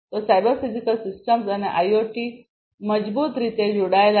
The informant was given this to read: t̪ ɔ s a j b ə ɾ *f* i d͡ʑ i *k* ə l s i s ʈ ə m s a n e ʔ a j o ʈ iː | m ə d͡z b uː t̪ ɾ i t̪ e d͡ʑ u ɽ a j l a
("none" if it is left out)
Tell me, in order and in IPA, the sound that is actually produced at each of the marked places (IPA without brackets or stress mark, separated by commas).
f, k